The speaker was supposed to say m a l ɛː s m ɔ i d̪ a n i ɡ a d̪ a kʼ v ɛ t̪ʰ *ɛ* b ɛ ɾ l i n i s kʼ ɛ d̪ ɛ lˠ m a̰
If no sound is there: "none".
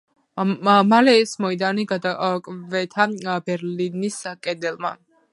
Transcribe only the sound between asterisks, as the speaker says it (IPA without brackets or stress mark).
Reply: a